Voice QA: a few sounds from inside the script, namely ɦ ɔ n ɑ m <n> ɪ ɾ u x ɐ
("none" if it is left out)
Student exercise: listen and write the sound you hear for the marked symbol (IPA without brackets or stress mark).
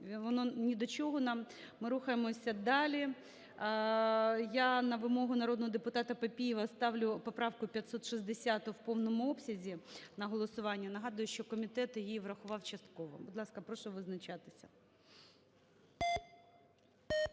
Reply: m